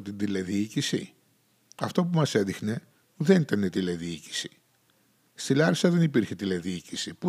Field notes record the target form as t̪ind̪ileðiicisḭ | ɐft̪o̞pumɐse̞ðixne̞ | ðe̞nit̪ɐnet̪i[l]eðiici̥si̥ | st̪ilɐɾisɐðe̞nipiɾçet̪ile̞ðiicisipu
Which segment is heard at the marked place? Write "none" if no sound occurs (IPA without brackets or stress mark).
l